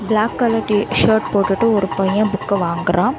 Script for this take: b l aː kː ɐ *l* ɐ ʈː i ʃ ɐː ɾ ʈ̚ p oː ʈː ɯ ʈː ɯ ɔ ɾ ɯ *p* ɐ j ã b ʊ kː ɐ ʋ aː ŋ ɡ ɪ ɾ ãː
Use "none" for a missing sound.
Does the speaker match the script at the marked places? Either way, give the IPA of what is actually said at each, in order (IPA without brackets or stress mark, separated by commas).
l, p